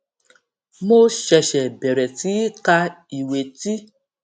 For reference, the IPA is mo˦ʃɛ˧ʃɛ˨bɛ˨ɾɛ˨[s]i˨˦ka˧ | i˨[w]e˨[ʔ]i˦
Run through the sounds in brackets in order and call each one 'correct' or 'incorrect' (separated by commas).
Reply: incorrect, correct, incorrect